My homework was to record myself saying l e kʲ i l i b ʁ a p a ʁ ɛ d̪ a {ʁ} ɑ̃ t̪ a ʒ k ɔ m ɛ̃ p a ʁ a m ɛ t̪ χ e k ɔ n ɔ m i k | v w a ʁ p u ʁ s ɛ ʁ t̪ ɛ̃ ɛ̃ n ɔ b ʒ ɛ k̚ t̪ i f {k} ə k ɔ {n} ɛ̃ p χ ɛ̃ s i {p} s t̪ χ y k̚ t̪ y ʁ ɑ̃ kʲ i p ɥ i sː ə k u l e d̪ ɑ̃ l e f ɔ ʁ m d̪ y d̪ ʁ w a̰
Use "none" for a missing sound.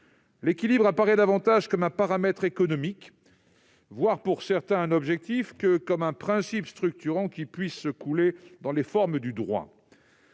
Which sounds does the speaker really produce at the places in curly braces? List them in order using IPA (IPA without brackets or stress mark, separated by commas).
v, k, m, p